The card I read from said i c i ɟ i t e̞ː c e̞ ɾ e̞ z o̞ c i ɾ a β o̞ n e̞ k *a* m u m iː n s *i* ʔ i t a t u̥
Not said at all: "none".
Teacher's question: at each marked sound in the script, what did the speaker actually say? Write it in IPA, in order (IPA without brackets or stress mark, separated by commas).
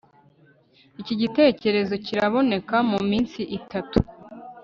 a, i